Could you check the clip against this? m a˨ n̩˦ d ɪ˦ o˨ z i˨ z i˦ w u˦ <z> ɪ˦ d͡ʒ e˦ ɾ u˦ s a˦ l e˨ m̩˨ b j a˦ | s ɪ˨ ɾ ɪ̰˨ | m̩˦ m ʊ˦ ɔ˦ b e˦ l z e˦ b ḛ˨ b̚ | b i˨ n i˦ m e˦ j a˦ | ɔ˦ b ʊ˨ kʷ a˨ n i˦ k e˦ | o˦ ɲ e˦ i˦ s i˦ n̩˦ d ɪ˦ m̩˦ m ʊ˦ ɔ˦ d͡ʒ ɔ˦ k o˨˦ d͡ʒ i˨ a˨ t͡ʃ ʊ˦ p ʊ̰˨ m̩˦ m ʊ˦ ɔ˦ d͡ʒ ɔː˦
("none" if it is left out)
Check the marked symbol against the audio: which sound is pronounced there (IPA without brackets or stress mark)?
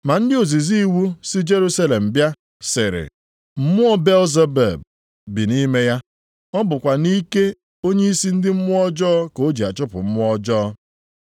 s